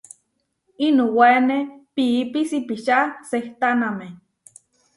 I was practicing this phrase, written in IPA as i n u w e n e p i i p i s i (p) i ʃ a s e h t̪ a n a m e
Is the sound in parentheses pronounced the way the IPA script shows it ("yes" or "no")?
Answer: yes